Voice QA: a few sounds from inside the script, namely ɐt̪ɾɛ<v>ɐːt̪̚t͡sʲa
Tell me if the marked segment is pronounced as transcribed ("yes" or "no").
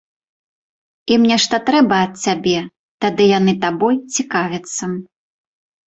no